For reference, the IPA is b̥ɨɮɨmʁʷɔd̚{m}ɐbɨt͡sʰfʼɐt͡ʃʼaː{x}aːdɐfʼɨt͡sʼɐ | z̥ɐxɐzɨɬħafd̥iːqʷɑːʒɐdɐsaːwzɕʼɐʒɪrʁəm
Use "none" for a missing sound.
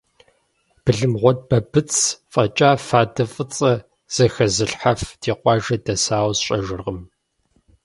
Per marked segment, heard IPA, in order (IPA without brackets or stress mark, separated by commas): b, f